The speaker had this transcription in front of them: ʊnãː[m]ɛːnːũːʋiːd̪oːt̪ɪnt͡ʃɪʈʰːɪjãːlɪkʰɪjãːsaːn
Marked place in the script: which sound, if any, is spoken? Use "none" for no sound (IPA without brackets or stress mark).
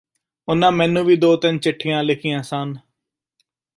m